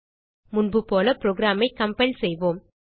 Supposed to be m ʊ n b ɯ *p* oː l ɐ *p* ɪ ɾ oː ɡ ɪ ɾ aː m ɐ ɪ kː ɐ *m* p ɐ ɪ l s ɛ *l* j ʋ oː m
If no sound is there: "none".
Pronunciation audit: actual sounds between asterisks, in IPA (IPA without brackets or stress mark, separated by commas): p, p, m, none